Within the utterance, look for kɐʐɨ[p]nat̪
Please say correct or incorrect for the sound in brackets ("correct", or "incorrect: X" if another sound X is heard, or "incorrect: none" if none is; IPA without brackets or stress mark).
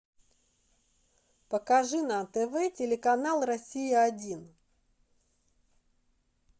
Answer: incorrect: none